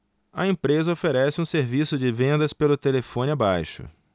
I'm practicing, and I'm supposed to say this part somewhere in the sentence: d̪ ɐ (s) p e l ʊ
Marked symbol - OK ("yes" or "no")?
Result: yes